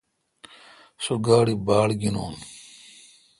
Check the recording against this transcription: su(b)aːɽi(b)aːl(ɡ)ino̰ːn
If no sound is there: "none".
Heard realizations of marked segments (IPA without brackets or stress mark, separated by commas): ɡ, b, ɡ